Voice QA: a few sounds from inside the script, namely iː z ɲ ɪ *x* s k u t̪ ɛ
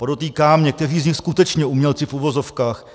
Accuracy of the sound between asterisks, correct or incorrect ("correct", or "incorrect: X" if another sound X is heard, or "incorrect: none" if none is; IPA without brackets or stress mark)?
correct